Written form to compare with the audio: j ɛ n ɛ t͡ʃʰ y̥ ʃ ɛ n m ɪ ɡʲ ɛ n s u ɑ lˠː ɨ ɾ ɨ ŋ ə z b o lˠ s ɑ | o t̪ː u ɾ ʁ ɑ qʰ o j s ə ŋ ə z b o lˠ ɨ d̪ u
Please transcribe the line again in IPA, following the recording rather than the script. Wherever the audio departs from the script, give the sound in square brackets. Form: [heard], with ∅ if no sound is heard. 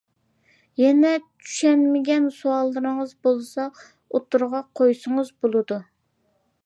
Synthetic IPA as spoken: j ɛ n ɛ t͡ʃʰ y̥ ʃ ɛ n m ɪ ɡʲ ɛ n s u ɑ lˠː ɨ ɾ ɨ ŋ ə z b o lˠ s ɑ | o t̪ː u ɾ ʁ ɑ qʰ o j s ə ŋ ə z b o lˠ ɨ d̪ u

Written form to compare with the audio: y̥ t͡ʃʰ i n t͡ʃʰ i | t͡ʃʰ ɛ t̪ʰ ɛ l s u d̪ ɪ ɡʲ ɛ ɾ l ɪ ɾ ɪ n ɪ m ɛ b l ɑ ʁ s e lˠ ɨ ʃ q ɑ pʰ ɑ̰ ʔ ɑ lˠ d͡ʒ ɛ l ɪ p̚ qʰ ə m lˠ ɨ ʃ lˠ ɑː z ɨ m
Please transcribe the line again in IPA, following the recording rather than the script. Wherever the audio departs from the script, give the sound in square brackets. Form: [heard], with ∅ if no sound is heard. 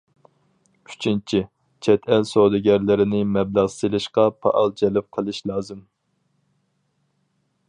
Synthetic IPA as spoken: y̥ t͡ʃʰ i n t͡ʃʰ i | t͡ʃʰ ɛ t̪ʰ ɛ l s [o] d̪ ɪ ɡʲ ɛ ɾ l ɪ ɾ ɪ n ɪ m ɛ b l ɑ ʁ s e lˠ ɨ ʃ q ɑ pʰ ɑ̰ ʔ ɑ lˠ d͡ʒ ɛ l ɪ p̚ qʰ ə [∅] lˠ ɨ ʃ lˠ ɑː z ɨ m

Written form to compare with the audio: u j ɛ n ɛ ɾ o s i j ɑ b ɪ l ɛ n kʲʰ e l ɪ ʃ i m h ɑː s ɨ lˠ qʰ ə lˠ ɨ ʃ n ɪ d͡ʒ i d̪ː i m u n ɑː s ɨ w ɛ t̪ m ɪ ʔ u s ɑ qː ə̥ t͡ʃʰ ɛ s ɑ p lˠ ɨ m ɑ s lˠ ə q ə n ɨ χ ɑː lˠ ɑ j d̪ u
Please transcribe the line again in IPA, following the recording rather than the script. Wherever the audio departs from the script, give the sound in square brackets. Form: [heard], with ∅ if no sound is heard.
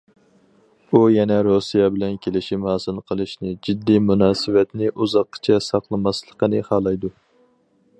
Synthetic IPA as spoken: u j ɛ n ɛ ɾ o s i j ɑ b ɪ l ɛ n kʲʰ e l ɪ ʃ i m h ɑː s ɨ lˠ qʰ ə lˠ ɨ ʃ n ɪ d͡ʒ i d̪ː i m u n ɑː s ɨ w ɛ t̪ [n] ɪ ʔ u [z] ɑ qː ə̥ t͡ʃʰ ɛ s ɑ [q] lˠ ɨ m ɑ s lˠ ə q ə n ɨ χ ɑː lˠ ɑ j d̪ u

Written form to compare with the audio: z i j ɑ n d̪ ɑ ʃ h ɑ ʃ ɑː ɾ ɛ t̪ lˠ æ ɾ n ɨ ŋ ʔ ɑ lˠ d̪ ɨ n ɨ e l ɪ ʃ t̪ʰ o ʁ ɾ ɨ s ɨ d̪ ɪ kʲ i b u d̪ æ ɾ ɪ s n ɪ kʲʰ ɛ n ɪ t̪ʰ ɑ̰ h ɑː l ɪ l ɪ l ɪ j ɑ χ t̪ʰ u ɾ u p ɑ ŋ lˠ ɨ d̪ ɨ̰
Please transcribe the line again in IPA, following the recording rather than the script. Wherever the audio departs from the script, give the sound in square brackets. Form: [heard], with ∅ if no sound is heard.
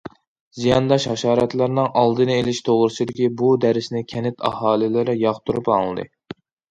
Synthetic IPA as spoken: z i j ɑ n d̪ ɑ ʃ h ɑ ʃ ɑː ɾ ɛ t̪ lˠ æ ɾ n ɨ ŋ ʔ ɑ lˠ d̪ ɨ n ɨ e l ɪ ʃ t̪ʰ o ʁ ɾ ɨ s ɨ d̪ ɪ kʲ i b u d̪ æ ɾ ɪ s n ɪ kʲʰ ɛ n ɪ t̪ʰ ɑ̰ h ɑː l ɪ l ɪ [ɾ] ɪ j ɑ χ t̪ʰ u ɾ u p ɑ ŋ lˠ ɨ d̪ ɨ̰

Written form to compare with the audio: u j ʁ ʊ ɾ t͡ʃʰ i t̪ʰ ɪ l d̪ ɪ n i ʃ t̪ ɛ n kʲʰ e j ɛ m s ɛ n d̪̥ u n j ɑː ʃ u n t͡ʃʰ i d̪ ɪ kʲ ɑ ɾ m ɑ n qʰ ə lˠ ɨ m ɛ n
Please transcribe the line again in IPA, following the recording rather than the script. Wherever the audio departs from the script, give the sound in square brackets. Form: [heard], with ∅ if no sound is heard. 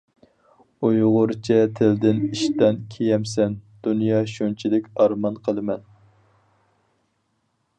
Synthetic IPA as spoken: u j ʁ ʊ ɾ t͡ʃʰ [ɛ] t̪ʰ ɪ l d̪ ɪ n i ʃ t̪ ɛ n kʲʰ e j ɛ m s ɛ n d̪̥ u n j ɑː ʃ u n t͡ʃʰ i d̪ ɪ kʲ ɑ ɾ m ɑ n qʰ ə lˠ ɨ m ɛ n

